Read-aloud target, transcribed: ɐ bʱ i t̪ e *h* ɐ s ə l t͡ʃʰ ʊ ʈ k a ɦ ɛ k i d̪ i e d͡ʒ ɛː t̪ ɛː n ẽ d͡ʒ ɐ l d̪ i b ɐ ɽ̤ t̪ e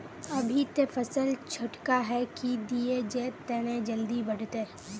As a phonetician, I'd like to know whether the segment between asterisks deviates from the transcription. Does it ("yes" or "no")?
yes